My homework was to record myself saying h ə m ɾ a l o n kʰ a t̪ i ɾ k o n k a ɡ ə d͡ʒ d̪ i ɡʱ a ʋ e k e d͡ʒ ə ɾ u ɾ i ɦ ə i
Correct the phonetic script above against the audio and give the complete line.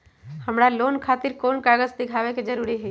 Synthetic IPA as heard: h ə m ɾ a l o n kʰ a t̪ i ɾ k o n k a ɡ ə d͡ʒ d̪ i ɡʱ a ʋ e k e d͡ʒ ə ɾ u ɾ i ɦ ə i